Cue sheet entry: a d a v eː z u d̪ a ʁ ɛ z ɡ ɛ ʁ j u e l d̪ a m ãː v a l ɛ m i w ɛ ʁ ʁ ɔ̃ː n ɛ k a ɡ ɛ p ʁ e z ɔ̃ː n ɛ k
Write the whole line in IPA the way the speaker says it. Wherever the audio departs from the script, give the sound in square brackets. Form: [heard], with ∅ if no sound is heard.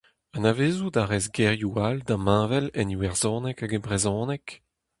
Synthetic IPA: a [n] a v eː z u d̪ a ʁ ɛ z ɡ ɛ ʁ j u [a] l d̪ a m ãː v [ɛ] l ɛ [n] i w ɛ ʁ [z] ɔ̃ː n ɛ k a ɡ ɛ [b] ʁ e z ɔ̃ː n ɛ k